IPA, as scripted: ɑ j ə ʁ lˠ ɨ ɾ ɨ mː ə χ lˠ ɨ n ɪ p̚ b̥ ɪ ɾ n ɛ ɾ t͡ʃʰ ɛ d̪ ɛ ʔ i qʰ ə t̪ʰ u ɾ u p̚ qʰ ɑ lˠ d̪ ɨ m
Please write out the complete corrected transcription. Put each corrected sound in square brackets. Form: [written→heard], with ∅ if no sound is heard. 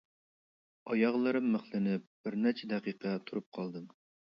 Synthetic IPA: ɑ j [ə→ɑ] ʁ lˠ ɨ ɾ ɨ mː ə χ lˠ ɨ n ɪ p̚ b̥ ɪ ɾ n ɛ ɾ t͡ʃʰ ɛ d̪ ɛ [ʔ→q] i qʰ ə t̪ʰ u ɾ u p̚ qʰ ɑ lˠ d̪ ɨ m